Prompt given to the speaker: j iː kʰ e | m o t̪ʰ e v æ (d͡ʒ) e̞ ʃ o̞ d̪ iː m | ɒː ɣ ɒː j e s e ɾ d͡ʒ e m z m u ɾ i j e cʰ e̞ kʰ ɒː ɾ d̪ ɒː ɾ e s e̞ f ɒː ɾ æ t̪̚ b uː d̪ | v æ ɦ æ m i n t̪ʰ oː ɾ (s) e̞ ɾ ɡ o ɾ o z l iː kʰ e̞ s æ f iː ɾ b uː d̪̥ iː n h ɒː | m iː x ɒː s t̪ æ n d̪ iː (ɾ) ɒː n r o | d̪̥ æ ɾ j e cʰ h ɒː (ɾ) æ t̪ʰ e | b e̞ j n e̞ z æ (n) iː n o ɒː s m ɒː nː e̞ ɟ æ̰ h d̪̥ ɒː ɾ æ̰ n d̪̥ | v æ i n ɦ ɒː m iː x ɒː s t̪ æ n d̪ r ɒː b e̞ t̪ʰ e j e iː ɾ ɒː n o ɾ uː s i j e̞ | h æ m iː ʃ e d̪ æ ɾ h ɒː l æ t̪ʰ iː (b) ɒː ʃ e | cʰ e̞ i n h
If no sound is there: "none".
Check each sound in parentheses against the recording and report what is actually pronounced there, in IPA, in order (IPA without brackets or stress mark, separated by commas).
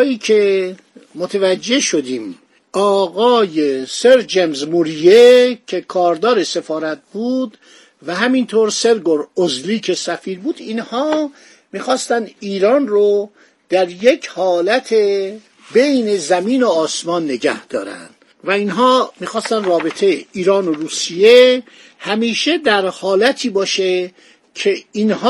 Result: d͡ʒː, s, ɾ, l, m, b